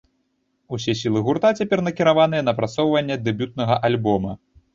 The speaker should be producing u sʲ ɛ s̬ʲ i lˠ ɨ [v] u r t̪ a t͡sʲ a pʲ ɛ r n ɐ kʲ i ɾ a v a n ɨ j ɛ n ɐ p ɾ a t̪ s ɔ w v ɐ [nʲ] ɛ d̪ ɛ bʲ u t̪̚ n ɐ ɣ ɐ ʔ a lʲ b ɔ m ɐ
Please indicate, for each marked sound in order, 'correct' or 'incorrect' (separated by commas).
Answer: incorrect, incorrect